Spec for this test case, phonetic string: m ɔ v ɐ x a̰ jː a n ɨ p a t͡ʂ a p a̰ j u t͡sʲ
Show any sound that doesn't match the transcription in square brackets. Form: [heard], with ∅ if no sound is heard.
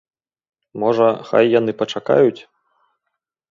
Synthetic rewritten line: m ɔ [ʐ] ɐ x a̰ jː a n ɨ p [ɐ] t͡ʂ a [k] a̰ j u t͡sʲ